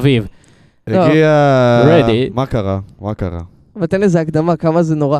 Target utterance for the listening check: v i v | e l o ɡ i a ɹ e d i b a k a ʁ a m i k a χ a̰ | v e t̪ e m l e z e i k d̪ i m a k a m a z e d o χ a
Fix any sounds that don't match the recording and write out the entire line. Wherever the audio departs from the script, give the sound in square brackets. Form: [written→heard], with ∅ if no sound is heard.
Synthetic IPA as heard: v i v | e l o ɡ i a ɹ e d i [b→m] a k a ʁ a m [i→a] k a [χ→ʁ] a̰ | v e t̪ e [m→n] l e z e [i→a] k d̪ [i→a] m a k a m a z e [d→n] o [χ→ʁ] a